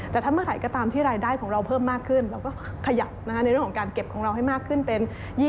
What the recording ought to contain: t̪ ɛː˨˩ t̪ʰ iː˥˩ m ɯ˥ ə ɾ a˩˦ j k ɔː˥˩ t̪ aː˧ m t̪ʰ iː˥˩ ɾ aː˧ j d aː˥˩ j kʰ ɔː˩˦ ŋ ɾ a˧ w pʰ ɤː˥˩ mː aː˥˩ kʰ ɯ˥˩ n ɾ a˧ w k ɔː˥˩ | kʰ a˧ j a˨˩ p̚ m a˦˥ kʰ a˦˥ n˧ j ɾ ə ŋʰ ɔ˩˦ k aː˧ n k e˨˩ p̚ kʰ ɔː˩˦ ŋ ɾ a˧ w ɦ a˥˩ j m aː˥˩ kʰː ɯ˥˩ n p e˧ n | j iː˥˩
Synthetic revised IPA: t̪ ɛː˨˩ t̪ʰ aː˥˩ m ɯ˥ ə ɾ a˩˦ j k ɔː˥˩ t̪ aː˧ m t̪ʰ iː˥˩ ɾ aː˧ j d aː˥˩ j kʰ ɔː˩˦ ŋ ɾ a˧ w pʰ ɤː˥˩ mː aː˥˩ kʰ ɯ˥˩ n ɾ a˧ w k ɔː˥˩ | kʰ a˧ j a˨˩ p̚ n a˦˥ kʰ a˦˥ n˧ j ɾ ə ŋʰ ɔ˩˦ k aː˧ n k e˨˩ p̚ kʰ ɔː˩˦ ŋ ɾ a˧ w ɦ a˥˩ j m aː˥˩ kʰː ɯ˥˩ n p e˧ n | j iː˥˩